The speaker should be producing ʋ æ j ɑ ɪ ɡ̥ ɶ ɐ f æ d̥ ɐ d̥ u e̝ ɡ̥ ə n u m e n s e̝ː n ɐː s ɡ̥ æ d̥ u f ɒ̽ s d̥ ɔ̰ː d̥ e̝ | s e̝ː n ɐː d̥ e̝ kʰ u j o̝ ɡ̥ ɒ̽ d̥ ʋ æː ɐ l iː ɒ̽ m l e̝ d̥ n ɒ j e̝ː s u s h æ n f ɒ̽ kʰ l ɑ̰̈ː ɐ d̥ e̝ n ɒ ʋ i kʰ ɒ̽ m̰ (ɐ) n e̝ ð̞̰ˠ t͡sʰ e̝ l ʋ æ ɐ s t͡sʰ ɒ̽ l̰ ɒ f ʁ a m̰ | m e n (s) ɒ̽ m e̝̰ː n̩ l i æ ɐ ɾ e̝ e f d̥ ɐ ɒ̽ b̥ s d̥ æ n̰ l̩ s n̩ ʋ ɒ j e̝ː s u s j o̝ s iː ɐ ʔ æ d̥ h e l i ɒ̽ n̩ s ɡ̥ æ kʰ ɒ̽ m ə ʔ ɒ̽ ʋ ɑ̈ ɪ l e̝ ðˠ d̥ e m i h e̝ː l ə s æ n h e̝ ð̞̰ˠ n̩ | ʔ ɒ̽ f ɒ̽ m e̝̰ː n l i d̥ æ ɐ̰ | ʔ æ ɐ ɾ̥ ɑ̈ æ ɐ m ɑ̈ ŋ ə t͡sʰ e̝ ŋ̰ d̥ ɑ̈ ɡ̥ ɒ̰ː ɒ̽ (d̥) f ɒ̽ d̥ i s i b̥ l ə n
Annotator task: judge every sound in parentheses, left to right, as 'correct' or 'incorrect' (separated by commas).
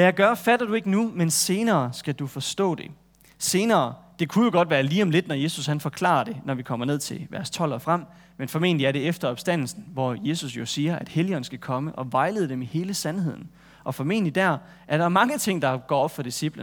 correct, incorrect, incorrect